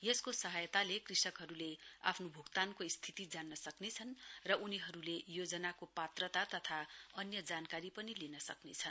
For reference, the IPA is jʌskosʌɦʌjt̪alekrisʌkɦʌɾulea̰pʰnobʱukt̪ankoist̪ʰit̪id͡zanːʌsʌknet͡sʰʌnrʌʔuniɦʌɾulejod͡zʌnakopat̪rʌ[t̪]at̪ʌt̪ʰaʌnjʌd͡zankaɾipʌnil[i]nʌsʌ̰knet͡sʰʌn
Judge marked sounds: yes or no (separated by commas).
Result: yes, yes